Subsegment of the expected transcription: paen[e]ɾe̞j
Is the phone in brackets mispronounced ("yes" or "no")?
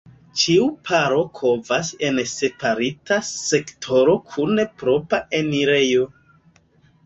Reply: yes